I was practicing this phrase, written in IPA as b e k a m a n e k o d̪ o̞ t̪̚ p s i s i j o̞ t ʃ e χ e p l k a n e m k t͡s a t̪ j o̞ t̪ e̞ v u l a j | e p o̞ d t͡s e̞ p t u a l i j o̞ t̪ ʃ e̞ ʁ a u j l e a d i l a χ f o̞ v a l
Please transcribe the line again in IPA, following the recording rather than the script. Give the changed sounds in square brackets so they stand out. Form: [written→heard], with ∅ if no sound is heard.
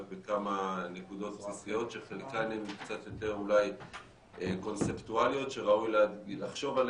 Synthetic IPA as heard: b e k a m a n e k [o→u] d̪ o̞ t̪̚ p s i s i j o̞ t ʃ e χ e [p→∅] l k a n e m k t͡s a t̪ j o̞ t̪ e̞ [v→ʁ] u l a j | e [p→k] o̞ [d→n] t͡s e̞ p t u a l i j o̞ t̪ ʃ e̞ ʁ a u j l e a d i l a χ [f→ʃ] o̞ v a l